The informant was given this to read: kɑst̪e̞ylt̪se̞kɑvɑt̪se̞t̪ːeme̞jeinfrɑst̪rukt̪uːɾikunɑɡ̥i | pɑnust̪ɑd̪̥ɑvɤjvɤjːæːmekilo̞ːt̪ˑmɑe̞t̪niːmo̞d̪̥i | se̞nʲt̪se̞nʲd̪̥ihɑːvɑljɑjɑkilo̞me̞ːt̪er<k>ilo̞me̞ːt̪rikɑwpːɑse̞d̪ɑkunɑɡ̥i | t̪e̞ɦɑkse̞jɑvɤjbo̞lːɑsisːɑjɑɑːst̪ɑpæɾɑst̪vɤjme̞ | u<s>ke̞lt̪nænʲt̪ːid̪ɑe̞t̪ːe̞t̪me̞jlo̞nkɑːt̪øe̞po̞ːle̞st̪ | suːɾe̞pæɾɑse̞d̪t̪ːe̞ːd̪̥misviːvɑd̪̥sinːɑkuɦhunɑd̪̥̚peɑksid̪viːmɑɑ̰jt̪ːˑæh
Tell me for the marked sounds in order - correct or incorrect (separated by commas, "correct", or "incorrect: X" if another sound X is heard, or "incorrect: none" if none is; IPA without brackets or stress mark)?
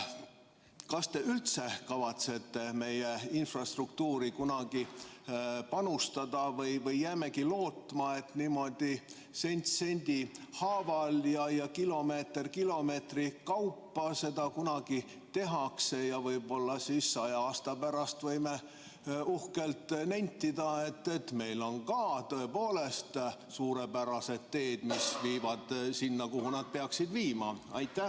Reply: correct, incorrect: h